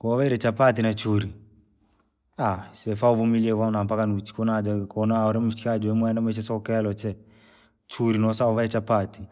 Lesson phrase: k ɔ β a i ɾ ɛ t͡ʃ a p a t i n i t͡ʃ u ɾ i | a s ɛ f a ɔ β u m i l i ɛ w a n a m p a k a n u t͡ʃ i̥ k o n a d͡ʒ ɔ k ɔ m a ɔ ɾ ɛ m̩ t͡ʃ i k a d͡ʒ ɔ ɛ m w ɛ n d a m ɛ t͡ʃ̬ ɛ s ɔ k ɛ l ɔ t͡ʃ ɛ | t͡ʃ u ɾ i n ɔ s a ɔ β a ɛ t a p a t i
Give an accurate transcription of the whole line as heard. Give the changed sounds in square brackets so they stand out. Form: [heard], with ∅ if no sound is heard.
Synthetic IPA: k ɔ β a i ɾ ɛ t͡ʃ a p a t i n [a] t͡ʃ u ɾ i | a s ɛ f a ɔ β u m i l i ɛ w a n a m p a k a n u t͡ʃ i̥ k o n a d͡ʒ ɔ k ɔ [n] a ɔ ɾ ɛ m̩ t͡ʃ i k a d͡ʒ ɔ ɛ m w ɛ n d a m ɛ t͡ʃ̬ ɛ s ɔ k ɛ l ɔ t͡ʃ ɛ | t͡ʃ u ɾ i n ɔ s a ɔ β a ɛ [t͡ʃ] a p a t i